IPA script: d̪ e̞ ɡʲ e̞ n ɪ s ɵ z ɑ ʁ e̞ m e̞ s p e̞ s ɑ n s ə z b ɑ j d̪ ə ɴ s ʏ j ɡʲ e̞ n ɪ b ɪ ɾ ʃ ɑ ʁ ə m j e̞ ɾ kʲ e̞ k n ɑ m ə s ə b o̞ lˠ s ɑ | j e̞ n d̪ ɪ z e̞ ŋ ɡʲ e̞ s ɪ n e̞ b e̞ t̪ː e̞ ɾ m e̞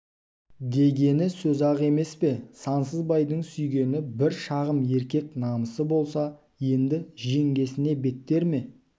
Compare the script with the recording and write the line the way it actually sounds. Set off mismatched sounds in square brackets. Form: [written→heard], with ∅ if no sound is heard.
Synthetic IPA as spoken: d̪ e̞ ɡʲ e̞ n ɪ s ɵ z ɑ ʁ e̞ m e̞ s p e̞ s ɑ n s ə z b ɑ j d̪ ə ɴ s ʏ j ɡʲ e̞ n ɪ b ɪ ɾ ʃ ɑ ʁ ə m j e̞ ɾ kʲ e̞ k n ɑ m ə s ə b o̞ lˠ s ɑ | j e̞ n d̪ ɪ [z→ʒ] e̞ ŋ ɡʲ e̞ s ɪ n e̞ b e̞ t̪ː e̞ ɾ m e̞